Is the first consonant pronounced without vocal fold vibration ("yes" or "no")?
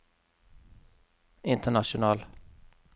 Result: no